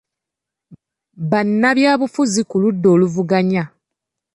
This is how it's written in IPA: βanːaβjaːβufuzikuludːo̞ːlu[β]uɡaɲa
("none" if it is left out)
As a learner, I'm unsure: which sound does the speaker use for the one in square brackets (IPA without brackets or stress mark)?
v